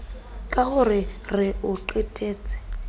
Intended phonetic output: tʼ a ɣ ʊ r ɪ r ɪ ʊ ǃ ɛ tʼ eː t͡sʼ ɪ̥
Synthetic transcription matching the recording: kʼ a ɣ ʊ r ɪ r ɪ ʊ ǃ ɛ tʼ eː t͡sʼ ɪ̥